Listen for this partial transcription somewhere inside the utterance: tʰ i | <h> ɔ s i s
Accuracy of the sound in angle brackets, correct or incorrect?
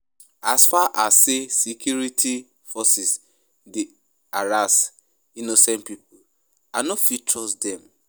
incorrect: f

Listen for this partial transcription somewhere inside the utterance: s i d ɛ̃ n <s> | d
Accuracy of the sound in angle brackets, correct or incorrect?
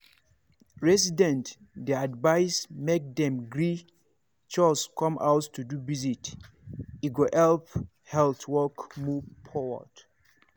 incorrect: t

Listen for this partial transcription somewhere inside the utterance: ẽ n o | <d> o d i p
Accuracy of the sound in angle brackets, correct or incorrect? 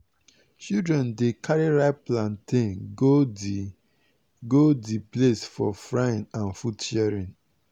incorrect: ɡ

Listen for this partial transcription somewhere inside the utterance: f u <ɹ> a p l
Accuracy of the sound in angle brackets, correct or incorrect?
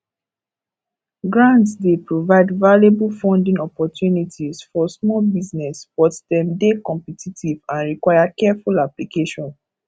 incorrect: l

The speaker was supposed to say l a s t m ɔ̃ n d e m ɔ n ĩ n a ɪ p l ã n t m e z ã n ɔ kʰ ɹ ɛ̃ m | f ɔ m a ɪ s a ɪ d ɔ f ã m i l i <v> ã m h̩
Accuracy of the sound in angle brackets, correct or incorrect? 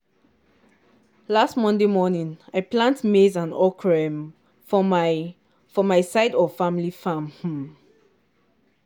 incorrect: f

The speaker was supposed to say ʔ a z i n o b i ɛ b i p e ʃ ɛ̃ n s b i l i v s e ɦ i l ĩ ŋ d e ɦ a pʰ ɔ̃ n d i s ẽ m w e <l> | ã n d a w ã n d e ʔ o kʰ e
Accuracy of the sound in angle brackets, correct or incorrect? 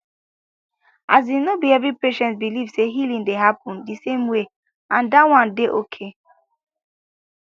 incorrect: none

